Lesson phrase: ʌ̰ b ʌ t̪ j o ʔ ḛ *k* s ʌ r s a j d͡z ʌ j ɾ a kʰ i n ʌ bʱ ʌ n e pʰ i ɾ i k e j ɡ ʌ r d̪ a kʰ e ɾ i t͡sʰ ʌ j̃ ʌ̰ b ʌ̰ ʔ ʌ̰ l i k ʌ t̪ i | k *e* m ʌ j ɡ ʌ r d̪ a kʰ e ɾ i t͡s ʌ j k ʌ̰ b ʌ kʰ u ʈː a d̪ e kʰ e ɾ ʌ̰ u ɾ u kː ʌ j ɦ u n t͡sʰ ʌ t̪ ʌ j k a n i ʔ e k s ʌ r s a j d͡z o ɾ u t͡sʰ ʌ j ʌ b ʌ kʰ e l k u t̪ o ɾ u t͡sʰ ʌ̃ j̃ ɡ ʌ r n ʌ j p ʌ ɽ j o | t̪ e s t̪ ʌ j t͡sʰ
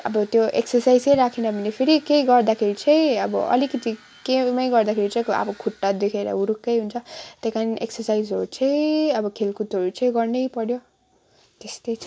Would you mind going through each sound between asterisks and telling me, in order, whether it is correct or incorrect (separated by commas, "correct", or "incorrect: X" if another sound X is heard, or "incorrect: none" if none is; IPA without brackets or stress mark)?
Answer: correct, correct